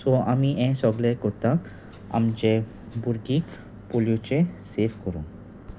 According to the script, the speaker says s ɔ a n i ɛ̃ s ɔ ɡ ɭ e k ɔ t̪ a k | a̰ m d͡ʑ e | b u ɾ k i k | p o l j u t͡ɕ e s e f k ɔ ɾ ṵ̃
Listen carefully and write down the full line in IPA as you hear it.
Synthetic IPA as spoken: s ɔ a m i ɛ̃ s ɔ ɡ l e k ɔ t̪ a k | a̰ m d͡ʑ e | b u ɾ ɡ i k | p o l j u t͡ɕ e s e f k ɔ ɾ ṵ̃